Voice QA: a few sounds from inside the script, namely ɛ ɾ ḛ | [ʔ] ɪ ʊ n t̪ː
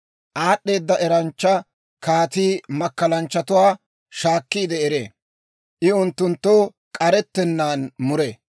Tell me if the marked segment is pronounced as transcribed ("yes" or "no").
yes